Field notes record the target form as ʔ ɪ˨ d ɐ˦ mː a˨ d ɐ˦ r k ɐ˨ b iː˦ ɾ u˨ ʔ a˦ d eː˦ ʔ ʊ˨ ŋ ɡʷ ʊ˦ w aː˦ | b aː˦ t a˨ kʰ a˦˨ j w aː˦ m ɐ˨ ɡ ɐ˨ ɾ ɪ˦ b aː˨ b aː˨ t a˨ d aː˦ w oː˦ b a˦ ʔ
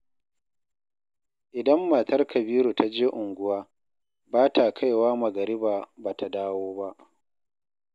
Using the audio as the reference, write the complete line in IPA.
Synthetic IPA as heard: ʔ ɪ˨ d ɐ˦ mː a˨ t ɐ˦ r k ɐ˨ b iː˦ ɾ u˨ t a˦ d͡ʒ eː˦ ʔ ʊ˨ ŋ ɡʷ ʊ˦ w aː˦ | b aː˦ t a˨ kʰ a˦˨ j w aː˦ m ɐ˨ ɡ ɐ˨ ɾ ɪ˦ b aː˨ b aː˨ t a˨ d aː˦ w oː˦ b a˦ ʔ